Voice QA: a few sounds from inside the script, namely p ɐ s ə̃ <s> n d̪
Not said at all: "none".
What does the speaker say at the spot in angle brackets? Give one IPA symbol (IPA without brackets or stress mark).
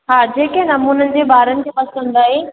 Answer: none